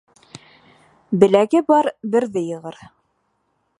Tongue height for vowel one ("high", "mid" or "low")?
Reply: mid